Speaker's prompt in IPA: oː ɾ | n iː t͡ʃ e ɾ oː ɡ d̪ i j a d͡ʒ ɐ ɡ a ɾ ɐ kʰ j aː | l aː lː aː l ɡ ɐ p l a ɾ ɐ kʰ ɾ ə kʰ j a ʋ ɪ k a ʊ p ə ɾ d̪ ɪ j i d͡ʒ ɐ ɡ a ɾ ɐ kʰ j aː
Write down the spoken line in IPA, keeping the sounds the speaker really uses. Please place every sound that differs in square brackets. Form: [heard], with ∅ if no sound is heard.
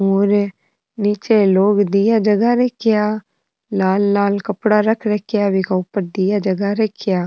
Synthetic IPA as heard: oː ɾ | n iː t͡ʃ e [l] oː ɡ d̪ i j a d͡ʒ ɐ ɡ a ɾ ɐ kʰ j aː | l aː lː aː l [k] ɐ p [ɽ] a ɾ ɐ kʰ ɾ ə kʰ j a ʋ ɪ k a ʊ p ə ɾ d̪ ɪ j [a] d͡ʒ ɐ ɡ a ɾ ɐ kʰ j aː

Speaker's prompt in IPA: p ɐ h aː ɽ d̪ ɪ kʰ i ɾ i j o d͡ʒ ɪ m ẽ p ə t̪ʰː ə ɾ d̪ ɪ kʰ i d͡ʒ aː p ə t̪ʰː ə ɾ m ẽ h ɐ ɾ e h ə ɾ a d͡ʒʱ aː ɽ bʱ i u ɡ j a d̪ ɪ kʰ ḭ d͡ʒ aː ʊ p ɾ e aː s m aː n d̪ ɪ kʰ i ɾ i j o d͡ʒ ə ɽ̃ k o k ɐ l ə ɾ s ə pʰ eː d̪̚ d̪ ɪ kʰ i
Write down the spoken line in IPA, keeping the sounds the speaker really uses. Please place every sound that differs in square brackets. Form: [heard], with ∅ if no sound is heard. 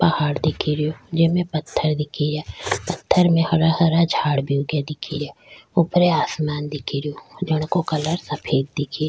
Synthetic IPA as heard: p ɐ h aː ɽ d̪ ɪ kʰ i ɾ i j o d͡ʒ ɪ m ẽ p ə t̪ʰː ə ɾ d̪ ɪ kʰ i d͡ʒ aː p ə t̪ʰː ə ɾ m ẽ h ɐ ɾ [a] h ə ɾ a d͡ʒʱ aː ɽ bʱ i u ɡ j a d̪ ɪ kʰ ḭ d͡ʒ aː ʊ p ɾ e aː s m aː n d̪ ɪ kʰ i ɾ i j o d͡ʒ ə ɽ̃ k o k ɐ l ə ɾ s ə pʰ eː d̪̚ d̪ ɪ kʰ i

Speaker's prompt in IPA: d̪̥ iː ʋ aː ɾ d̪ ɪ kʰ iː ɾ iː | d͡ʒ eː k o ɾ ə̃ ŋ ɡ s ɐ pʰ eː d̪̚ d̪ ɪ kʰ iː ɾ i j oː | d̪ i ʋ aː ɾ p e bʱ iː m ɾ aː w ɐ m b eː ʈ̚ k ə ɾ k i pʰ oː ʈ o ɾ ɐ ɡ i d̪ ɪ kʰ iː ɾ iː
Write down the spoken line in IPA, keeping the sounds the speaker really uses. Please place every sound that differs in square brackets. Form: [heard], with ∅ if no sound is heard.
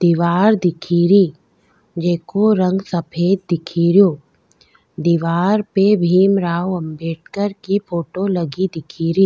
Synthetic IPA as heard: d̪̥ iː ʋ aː ɾ d̪ ɪ kʰ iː ɾ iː | d͡ʒ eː k o ɾ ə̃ ŋ ɡ s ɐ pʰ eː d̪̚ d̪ ɪ kʰ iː ɾ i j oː | d̪ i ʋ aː ɾ p e bʱ iː m ɾ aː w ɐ m b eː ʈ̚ k ə ɾ k i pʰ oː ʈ o [l] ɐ ɡ i d̪ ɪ kʰ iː ɾ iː

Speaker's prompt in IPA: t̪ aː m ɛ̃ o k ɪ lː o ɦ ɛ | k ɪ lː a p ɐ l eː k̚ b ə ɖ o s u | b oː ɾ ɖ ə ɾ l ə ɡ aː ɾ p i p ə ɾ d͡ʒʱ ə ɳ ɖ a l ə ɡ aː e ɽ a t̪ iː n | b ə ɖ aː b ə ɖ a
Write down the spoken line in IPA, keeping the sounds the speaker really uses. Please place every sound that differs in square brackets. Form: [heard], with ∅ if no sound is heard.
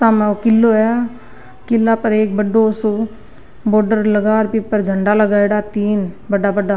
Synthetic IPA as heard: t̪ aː m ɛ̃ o k ɪ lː o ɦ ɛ | k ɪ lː a p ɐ [ɾ] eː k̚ b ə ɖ o s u | b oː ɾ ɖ ə ɾ l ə ɡ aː ɾ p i p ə ɾ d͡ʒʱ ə ɳ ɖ a l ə ɡ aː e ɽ a t̪ iː n | b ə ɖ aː b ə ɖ a

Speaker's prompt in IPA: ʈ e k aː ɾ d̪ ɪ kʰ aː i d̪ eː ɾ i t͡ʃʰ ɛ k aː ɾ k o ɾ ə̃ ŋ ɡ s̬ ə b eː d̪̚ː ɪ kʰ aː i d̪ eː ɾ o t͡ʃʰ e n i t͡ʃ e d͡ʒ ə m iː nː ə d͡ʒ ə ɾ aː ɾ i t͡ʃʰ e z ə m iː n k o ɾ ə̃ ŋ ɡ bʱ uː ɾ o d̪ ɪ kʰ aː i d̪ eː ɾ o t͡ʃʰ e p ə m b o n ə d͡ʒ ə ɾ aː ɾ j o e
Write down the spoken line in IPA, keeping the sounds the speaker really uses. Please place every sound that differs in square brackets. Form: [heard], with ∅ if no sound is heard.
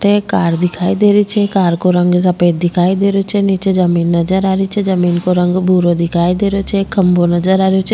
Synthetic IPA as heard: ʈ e k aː ɾ d̪ ɪ kʰ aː i d̪ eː ɾ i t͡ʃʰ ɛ k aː ɾ k o ɾ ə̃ ŋ ɡ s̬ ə [p] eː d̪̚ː ɪ kʰ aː i d̪ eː ɾ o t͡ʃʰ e n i t͡ʃ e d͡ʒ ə m iː nː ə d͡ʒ ə ɾ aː ɾ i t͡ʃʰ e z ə m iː n k o ɾ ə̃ ŋ ɡ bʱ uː ɾ o d̪ ɪ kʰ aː i d̪ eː ɾ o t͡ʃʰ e [k] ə m b o n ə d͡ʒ ə ɾ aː ɾ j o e

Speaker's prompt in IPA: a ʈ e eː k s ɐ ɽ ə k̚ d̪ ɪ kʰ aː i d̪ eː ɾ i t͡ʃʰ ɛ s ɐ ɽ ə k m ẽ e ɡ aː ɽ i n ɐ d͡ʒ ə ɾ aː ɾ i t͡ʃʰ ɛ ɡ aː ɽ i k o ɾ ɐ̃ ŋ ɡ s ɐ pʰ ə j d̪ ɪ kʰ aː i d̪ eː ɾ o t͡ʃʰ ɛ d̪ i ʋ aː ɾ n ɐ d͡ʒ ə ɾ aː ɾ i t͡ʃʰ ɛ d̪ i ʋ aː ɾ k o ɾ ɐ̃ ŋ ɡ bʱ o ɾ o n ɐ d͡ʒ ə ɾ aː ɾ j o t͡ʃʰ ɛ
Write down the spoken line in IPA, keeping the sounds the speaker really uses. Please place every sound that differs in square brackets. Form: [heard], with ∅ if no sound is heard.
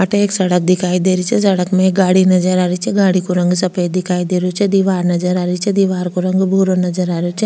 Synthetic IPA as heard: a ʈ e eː k s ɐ ɽ ə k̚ d̪ ɪ kʰ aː i d̪ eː ɾ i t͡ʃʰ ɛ s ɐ ɽ ə k m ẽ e ɡ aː ɽ i n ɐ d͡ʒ ə ɾ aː ɾ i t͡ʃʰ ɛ ɡ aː ɽ i k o ɾ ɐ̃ ŋ ɡ s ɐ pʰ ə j d̪ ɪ kʰ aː i d̪ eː ɾ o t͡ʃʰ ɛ d̪ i ʋ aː ɾ n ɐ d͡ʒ ə ɾ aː ɾ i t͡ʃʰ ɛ d̪ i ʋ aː ɾ k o ɾ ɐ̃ ŋ ɡ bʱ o ɾ o n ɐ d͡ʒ ə ɾ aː ɾ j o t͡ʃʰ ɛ

